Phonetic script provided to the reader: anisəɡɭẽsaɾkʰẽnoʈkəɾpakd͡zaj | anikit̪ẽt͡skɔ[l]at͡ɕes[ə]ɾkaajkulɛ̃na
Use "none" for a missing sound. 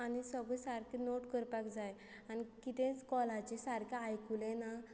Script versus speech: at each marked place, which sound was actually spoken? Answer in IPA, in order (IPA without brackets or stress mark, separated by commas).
l, a